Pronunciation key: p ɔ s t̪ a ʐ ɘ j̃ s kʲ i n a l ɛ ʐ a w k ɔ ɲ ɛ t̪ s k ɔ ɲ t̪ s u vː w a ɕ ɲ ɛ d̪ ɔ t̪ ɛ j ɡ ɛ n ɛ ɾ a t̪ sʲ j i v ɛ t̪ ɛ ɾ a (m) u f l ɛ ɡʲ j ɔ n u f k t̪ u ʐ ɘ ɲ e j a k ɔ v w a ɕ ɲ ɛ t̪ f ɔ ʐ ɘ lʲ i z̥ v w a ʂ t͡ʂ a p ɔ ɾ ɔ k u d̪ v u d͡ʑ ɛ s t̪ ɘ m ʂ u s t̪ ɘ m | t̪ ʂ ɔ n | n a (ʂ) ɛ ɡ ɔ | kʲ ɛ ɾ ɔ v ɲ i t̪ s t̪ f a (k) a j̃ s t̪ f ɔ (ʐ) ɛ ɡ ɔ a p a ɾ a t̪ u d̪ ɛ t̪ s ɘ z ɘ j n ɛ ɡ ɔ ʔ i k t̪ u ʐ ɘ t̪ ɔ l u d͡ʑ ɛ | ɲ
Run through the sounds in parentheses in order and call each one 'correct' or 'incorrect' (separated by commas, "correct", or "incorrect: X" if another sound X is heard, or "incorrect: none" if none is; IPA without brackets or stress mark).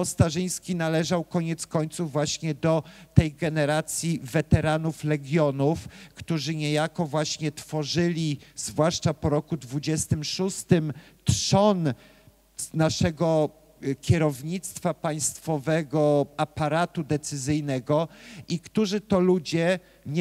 incorrect: n, correct, incorrect: p, incorrect: v